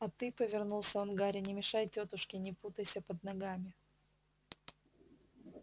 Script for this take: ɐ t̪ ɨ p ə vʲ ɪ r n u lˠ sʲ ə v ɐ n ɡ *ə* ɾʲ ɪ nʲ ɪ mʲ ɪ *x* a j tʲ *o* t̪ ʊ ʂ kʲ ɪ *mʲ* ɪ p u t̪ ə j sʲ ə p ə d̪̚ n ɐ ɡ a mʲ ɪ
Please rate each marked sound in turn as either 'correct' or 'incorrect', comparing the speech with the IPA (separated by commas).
incorrect, incorrect, correct, incorrect